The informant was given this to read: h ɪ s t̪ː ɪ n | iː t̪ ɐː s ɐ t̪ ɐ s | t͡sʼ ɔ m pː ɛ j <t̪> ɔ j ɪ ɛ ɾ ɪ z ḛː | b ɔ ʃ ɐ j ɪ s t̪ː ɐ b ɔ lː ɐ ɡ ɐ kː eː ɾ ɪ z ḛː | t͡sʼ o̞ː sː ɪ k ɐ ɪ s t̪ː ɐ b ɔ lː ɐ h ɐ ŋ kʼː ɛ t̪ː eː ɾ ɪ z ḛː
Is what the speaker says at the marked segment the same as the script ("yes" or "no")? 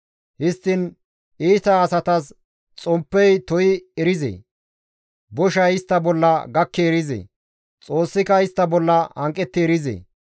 yes